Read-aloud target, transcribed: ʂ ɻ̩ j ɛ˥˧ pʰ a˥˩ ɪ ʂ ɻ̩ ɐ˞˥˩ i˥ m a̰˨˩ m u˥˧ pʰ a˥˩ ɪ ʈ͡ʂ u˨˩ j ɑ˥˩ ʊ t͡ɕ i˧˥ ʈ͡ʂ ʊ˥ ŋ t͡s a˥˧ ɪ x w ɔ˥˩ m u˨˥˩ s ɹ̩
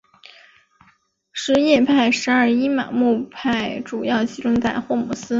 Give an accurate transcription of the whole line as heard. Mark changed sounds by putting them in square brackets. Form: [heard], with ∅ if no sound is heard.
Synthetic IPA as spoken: ʂ ɻ̩ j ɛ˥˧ pʰ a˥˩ ɪ ʂ ɻ̩ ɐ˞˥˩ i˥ m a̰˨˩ m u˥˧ pʰ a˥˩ ɪ ʈ͡ʂ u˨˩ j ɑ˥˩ ʊ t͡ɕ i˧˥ ʈ͡ʂ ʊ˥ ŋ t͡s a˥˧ ɪ x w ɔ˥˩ m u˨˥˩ s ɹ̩